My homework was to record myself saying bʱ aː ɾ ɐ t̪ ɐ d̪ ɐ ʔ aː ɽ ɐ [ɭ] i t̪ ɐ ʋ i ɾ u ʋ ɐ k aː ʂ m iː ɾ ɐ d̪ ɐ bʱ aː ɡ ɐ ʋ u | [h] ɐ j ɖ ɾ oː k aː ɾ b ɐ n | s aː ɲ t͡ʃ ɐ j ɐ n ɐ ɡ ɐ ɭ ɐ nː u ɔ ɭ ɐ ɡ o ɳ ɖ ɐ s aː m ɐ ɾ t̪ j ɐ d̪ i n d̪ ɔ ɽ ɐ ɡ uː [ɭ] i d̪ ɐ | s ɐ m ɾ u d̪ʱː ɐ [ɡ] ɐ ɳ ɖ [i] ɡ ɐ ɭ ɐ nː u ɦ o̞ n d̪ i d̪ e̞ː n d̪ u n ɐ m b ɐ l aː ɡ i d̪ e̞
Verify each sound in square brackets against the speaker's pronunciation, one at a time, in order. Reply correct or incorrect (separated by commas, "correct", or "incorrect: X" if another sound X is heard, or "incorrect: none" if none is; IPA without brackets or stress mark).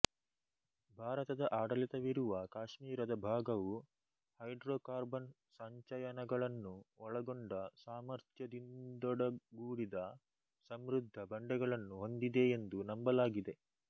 incorrect: l, correct, incorrect: ɽ, incorrect: b, incorrect: ɛ